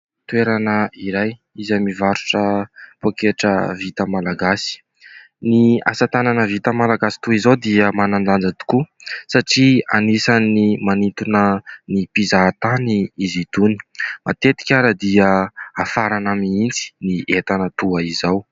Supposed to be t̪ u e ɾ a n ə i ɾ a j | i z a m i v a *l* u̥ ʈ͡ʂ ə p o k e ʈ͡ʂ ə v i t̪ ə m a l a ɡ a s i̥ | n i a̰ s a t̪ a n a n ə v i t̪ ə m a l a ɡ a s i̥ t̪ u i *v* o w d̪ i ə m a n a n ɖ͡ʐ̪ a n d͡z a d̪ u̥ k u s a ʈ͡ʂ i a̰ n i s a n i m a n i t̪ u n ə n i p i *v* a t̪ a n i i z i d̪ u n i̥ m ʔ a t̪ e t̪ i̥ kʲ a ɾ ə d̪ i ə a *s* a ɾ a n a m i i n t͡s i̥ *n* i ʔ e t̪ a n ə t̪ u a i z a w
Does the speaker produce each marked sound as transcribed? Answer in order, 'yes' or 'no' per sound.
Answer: no, no, no, no, yes

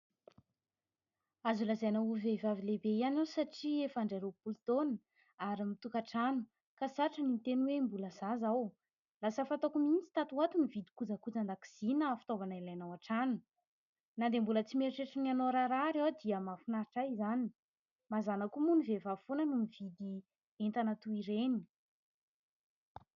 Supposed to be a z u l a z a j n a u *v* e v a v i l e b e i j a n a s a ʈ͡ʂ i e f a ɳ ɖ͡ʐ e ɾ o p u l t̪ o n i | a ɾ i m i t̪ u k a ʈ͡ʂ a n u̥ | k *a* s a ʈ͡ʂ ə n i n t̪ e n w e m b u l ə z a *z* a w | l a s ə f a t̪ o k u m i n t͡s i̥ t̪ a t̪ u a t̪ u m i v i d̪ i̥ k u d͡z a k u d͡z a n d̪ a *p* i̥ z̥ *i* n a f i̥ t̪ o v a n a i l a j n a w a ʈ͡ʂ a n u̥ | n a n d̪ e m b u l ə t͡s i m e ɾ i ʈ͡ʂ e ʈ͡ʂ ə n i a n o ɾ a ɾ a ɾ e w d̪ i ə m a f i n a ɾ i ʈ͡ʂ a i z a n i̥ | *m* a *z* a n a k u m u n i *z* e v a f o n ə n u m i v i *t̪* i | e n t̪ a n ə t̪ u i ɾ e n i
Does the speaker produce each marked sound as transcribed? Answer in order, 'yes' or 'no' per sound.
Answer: yes, yes, yes, no, yes, yes, yes, no, no

